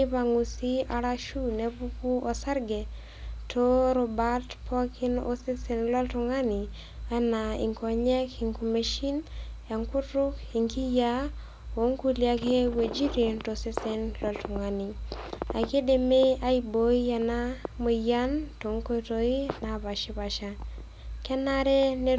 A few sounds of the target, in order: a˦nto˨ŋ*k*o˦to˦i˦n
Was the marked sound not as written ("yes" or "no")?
no